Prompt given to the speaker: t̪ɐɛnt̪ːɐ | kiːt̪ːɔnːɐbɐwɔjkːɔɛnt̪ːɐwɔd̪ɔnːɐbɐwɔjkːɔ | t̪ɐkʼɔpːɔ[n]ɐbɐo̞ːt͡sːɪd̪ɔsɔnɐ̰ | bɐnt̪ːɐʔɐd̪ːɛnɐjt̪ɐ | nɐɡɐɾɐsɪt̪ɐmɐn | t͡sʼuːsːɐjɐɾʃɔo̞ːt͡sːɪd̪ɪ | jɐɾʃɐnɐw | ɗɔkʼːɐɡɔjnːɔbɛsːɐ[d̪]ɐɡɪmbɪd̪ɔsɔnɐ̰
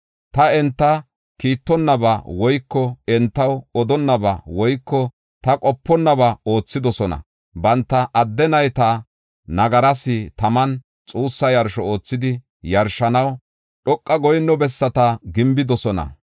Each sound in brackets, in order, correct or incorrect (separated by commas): incorrect, incorrect